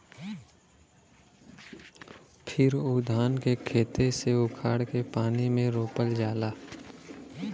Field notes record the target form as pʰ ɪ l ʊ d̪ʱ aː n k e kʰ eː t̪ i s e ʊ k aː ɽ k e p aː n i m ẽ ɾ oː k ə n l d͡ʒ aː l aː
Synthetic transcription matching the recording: pʰ ɪ ɾ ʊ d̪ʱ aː n k e kʰ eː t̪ e s e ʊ kʰ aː ɽ k e p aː n i m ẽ ɾ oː p ə l d͡ʒ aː l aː